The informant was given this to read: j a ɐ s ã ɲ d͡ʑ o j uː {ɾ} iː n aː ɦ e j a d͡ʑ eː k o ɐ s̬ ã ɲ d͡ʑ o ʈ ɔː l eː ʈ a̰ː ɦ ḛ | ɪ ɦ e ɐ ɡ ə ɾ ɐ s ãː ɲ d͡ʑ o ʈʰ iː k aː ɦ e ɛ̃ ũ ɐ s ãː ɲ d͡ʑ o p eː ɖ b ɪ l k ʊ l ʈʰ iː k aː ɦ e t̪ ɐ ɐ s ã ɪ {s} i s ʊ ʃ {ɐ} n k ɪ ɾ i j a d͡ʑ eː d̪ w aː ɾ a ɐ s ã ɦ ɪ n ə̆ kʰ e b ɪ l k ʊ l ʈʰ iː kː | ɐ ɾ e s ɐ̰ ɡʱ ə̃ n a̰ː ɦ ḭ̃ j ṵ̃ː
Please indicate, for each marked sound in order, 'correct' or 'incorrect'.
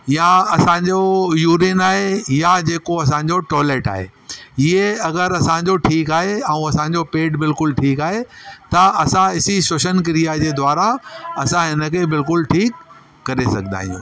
correct, correct, incorrect: ə

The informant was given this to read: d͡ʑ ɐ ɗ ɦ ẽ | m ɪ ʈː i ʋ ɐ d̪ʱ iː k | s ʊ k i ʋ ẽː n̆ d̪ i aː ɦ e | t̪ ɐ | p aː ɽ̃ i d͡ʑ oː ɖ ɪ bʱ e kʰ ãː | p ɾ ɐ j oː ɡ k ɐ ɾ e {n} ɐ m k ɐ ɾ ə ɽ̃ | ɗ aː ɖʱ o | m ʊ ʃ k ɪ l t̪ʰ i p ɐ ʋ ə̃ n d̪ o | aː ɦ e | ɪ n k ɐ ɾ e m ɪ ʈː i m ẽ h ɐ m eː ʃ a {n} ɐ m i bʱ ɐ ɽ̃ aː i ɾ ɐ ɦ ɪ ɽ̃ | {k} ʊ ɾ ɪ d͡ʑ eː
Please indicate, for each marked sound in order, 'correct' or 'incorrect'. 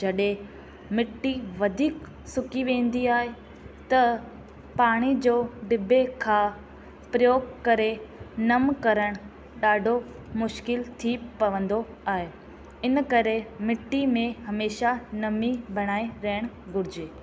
correct, correct, incorrect: ɡ

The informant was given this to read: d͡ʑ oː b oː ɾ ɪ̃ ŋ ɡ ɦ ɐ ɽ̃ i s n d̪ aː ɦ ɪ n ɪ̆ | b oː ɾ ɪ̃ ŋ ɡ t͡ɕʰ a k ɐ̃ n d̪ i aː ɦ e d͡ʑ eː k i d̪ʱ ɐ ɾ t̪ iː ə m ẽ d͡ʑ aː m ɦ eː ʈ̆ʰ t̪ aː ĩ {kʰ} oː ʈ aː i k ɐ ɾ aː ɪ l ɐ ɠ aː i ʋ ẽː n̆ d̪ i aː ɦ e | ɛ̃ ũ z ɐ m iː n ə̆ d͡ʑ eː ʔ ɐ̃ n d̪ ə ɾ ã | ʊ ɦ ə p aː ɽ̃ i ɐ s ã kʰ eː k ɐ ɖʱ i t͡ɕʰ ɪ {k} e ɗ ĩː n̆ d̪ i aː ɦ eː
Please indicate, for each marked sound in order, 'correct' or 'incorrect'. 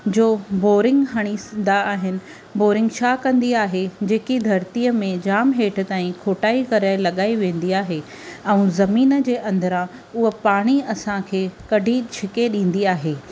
correct, correct

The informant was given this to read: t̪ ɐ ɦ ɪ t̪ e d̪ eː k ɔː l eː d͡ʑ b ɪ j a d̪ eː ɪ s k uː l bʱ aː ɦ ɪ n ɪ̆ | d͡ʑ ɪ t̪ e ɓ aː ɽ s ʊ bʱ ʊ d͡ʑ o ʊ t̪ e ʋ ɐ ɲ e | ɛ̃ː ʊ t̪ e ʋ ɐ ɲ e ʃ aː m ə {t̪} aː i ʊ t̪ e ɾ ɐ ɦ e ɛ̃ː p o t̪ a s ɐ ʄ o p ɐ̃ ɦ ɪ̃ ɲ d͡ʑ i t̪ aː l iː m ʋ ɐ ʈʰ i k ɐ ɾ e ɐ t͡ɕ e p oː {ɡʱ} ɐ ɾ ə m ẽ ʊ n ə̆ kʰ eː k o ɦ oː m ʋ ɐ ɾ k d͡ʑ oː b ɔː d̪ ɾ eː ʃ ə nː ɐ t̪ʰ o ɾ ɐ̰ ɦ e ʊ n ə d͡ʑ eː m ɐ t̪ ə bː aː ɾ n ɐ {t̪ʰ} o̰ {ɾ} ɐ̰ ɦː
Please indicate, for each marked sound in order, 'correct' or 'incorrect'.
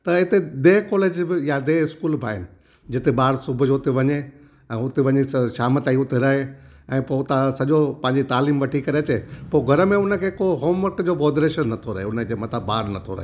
correct, correct, correct, correct

